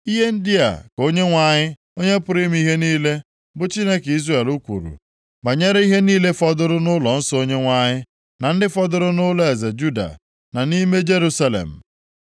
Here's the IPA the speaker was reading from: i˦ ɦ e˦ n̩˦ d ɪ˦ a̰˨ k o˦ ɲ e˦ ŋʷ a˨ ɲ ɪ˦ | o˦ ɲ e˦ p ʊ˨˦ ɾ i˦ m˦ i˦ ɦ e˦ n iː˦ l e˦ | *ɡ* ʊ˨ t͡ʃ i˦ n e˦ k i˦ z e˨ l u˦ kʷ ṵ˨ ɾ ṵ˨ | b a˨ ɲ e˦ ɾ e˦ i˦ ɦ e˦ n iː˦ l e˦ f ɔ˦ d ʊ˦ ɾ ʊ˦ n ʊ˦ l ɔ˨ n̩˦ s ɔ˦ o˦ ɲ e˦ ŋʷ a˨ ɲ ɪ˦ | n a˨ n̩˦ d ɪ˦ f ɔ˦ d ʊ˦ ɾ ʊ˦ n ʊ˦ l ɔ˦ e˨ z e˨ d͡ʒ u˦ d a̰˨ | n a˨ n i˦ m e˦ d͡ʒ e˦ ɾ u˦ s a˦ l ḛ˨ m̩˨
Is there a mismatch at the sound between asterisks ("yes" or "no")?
yes